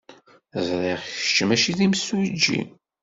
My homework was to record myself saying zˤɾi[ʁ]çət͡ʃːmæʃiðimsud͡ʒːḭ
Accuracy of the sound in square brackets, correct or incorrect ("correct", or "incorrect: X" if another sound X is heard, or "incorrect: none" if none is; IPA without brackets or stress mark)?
correct